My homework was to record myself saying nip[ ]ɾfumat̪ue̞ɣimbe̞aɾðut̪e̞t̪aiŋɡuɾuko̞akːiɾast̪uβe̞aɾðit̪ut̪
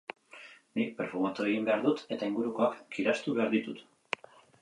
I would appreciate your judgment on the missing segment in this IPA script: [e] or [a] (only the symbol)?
e